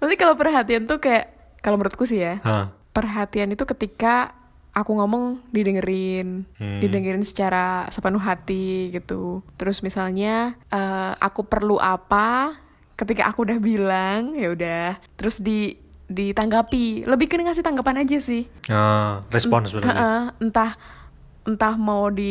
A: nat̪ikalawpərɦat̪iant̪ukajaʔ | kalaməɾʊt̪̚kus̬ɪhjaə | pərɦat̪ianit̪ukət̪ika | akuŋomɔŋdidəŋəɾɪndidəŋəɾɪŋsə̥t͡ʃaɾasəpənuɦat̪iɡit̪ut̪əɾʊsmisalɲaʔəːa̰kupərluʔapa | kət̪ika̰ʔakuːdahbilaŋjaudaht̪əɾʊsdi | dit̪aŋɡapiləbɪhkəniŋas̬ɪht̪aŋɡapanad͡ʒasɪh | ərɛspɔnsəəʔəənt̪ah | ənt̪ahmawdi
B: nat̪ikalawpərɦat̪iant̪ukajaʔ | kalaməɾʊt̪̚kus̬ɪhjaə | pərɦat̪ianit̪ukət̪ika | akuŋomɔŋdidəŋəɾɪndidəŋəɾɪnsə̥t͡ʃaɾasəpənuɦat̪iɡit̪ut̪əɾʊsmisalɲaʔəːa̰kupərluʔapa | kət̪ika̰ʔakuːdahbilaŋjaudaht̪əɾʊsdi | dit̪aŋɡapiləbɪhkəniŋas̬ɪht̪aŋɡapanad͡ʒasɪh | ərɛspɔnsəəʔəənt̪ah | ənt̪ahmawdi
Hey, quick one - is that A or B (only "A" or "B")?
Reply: B